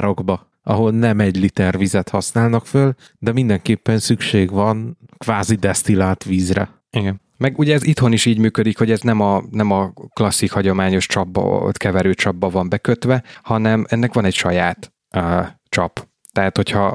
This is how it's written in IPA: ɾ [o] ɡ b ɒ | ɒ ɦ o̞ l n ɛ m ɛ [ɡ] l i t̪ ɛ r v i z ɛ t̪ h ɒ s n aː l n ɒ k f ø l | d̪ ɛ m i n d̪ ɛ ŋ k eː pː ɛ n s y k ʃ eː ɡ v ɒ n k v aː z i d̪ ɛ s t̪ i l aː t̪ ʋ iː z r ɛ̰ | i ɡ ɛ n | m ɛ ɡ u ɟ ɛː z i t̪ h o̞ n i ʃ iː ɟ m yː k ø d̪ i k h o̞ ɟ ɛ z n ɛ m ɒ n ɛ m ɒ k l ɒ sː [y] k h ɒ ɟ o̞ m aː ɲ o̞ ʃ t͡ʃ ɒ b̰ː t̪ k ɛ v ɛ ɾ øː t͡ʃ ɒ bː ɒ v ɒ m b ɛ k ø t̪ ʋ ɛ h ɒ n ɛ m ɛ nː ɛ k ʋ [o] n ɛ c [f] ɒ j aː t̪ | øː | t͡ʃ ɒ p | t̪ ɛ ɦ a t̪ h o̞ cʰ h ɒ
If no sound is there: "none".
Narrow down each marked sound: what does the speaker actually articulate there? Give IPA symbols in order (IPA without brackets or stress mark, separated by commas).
o, ɟ, i, ɒ, ʃ